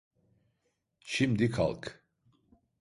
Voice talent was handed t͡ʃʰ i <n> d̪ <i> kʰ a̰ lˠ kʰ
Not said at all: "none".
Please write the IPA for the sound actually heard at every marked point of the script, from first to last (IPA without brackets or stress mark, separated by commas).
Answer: m, i